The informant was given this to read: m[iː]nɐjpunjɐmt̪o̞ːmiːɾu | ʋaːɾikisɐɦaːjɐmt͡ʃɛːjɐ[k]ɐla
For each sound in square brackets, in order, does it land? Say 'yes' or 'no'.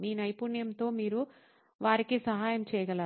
yes, no

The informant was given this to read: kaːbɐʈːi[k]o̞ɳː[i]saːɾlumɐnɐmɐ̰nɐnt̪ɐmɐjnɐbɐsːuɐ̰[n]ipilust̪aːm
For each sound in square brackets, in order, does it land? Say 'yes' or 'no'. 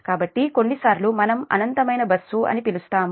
yes, yes, yes

